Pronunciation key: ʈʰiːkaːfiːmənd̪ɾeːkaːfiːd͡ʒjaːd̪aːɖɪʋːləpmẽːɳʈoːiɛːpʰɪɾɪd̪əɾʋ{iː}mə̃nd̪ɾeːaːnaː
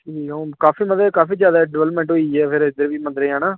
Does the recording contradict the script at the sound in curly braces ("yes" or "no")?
no